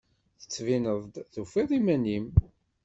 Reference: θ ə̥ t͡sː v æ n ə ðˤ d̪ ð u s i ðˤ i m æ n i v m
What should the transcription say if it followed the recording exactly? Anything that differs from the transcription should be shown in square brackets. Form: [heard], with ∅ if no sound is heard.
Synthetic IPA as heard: θ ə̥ t͡sː v [i] n ə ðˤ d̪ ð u [f] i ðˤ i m æ n i [∅] m